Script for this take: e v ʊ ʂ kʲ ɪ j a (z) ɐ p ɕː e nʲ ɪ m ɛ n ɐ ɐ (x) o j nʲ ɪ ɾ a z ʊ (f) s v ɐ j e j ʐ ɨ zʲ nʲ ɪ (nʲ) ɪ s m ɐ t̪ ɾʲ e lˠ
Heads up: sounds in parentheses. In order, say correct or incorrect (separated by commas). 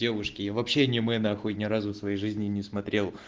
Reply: incorrect, correct, correct, correct